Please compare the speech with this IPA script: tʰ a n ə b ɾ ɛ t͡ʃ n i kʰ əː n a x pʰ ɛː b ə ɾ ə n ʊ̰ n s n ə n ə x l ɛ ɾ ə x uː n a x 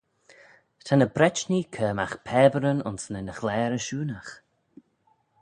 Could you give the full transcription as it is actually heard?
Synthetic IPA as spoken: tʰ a n ə b ɾ ɛ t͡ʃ n i kʰ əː m a x pʰ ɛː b ə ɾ ə n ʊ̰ n s n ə n ə x l ɛː ɾ ə ʃ uː n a x